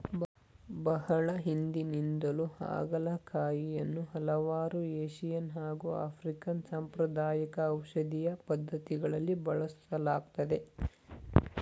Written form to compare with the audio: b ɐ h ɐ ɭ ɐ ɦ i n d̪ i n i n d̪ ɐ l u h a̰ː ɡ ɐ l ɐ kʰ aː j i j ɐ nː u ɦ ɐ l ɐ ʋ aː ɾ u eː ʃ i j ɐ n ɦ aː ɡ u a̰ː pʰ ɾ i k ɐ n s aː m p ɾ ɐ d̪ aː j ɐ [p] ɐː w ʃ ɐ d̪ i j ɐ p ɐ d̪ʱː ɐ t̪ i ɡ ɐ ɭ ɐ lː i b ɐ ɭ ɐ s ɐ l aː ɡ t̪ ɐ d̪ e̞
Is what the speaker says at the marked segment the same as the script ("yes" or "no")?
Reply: no